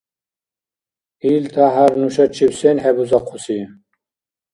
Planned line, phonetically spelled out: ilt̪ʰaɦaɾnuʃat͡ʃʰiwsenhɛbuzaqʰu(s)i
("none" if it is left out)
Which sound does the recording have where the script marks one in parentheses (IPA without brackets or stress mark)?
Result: s